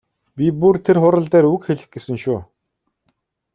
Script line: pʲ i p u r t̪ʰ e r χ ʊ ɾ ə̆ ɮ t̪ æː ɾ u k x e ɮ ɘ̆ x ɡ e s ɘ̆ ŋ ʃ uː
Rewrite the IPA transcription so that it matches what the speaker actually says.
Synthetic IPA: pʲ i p u r t̪ʰ e r χ ʊ ɾ ə̆ ɮ t̪ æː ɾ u k x e ɮ ɘ̆ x ɡ e s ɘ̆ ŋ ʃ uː